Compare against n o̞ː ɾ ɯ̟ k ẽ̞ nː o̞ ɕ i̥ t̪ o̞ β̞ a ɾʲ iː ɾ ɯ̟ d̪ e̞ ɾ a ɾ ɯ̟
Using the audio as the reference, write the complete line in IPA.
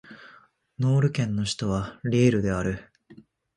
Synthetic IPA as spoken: n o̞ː ɾ ɯ̟ k ẽ̞ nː o̞ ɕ i̥ t̪ o̞ β̞ a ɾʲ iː ɾ ɯ̟ d̪ e̞ a ɾ ɯ̟